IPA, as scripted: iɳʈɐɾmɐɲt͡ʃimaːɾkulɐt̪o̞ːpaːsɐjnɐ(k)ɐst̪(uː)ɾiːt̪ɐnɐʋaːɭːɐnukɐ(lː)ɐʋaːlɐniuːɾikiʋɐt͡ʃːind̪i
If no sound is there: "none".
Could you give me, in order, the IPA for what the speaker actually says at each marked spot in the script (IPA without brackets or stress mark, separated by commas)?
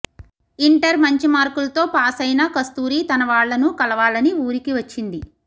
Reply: k, uː, l